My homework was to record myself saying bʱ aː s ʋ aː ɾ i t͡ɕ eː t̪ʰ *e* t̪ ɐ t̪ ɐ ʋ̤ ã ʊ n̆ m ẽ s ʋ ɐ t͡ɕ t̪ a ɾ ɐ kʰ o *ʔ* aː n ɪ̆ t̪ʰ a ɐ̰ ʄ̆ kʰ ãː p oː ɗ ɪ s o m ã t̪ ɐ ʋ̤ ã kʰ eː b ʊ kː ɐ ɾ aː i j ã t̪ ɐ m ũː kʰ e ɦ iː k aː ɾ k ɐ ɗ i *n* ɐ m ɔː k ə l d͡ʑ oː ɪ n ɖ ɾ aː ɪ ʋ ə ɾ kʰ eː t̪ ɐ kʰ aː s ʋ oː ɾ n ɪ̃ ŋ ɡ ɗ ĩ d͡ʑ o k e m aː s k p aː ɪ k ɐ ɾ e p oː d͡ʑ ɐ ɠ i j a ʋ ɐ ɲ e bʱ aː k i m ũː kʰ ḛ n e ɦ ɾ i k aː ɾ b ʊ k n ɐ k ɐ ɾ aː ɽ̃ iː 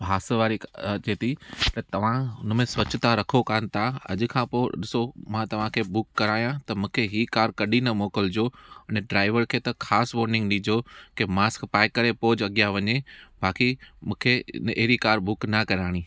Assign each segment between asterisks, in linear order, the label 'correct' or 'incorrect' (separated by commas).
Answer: incorrect, incorrect, correct